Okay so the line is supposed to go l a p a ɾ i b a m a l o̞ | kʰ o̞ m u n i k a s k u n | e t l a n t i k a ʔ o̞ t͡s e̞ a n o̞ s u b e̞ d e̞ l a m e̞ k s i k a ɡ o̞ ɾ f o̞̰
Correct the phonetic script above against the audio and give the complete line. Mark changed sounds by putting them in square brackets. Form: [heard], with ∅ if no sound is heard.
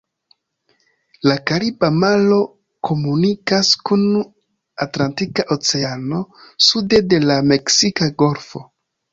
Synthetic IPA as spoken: l a [k] a ɾ i b a m a l o̞ | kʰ o̞ m u n i k a s k u n | [a] t l a n t i k a ʔ o̞ t͡s e̞ a n o̞ s u [d] e̞ d e̞ l a m e̞ k s i k a ɡ o̞ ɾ f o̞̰